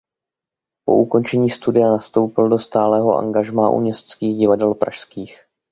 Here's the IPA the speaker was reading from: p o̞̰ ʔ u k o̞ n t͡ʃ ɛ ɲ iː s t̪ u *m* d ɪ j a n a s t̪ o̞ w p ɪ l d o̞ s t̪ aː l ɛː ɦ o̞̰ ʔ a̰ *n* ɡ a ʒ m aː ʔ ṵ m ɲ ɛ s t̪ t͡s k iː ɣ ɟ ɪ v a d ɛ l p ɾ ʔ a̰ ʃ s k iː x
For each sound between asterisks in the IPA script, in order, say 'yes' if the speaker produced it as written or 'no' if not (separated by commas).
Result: no, no